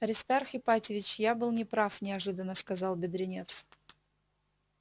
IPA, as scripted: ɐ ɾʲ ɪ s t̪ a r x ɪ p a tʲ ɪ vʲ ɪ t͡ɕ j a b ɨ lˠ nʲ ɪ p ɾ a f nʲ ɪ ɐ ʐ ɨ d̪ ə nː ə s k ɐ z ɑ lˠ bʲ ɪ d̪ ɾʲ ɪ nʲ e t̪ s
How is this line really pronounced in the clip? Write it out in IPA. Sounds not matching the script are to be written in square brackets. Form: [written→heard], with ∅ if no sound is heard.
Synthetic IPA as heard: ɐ ɾʲ ɪ s t̪ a r x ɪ p a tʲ ɪ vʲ ɪ t͡ɕ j a b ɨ lˠ nʲ ɪ p ɾ a f nʲ ɪ ɐ ʐ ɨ d̪ ə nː ə s k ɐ z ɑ lˠ bʲ ɪ d̪ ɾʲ ɪ nʲ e t̪ s